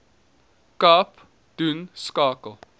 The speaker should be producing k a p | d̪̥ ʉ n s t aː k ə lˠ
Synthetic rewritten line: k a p | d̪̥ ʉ n s k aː k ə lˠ